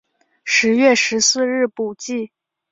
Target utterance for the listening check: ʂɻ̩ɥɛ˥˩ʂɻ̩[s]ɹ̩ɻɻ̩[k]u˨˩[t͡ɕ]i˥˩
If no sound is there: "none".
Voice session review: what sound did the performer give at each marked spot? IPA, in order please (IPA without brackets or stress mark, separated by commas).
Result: s, p, t͡ɕ